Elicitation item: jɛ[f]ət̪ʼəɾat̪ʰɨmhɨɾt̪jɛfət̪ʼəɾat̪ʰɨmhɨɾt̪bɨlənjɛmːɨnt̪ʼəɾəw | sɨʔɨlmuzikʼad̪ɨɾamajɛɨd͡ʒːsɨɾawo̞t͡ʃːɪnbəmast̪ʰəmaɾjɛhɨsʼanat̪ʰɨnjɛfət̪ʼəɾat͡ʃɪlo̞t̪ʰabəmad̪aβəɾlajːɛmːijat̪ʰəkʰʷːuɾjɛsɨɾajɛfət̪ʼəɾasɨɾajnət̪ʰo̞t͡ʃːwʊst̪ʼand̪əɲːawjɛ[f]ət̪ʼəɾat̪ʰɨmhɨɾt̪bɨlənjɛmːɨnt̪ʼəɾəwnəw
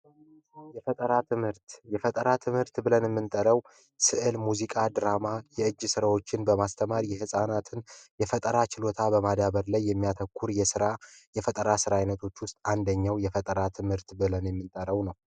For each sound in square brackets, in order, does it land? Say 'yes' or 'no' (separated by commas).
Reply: yes, yes